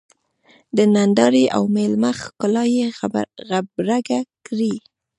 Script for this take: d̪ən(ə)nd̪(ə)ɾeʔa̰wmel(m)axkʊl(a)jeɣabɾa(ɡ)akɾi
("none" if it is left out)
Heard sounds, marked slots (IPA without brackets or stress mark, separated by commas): a, ɑ, m, ɑ, ɡ